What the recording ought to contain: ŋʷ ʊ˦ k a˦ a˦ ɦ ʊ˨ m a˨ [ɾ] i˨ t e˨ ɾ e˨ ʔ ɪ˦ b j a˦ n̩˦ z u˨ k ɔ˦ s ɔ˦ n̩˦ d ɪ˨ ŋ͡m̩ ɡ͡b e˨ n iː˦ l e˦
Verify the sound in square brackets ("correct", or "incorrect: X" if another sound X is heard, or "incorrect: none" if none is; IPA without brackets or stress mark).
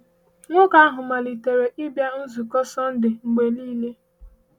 incorrect: l